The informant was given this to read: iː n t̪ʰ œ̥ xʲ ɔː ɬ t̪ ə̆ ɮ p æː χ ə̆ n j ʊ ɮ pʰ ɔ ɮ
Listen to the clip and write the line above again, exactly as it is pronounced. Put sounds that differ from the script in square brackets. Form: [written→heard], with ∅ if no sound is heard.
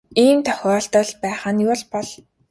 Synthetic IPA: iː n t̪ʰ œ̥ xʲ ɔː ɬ t̪ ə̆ ɮ p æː χ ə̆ n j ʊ ɮ [pʰ→p] ɔ ɮ